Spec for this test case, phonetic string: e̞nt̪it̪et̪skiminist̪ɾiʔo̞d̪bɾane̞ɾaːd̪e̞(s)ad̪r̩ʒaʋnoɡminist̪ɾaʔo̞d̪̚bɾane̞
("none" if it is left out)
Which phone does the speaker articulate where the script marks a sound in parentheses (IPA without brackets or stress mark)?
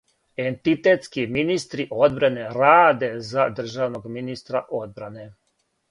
z